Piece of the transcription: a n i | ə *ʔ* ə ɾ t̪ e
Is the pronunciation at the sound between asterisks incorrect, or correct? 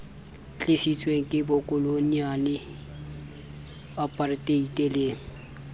incorrect